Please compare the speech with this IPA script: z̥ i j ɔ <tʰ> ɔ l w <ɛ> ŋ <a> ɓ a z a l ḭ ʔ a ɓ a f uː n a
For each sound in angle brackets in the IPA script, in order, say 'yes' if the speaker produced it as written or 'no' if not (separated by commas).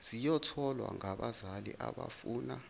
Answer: yes, no, yes